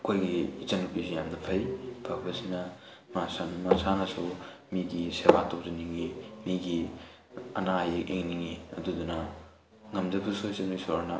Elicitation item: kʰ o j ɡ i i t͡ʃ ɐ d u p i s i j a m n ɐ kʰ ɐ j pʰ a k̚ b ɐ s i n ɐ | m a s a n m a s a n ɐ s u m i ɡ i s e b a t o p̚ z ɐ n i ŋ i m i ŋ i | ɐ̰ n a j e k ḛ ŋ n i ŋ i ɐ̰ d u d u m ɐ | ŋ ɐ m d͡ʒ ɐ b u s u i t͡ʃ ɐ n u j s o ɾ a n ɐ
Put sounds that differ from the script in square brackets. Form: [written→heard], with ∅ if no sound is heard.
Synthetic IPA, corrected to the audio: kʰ o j ɡ i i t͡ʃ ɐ [d→n] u p i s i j a m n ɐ [kʰ→pʰ] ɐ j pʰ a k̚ b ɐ s i n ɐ | m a s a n m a s a n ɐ s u m i ɡ i s e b a t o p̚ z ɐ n i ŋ i m i [ŋ→ɡ] i | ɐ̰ n a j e k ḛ ŋ n i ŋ i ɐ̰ d u d u [m→n] ɐ | ŋ ɐ m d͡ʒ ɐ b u s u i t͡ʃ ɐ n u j s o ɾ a n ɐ